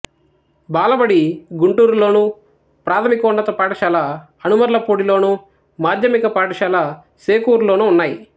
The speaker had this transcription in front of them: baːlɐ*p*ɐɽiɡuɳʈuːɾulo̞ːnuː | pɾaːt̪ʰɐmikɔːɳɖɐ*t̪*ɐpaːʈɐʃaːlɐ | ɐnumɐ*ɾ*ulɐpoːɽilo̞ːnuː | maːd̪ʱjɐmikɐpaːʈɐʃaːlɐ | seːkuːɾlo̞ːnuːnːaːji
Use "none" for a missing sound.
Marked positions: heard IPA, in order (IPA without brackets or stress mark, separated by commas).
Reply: b, t̪, ɾ